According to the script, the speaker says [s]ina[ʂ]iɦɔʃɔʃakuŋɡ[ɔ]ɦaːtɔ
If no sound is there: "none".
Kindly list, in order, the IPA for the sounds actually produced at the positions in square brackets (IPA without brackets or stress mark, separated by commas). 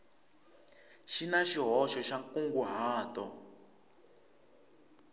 ʃ, ʃ, u